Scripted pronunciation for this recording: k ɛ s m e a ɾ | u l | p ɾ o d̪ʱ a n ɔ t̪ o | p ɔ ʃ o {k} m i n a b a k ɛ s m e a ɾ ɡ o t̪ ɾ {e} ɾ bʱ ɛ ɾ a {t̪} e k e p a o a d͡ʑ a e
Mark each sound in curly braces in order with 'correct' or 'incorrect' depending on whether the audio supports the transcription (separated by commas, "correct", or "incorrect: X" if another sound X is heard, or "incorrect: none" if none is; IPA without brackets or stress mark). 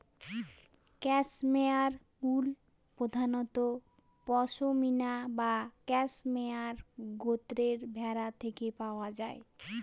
incorrect: none, correct, incorrect: t̪ʰ